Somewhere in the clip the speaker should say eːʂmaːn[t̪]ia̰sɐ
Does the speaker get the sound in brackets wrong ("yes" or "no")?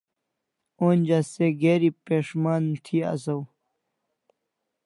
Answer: yes